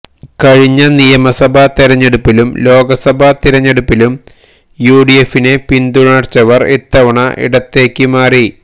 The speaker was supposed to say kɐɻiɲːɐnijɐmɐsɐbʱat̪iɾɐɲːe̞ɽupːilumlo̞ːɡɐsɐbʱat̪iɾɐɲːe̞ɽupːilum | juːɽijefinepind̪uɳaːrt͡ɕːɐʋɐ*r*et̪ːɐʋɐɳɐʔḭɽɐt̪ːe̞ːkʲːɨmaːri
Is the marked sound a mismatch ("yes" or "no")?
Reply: no